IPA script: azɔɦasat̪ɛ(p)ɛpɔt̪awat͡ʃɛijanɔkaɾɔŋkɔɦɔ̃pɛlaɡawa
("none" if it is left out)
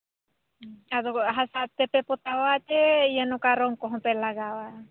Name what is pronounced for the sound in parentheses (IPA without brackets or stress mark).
p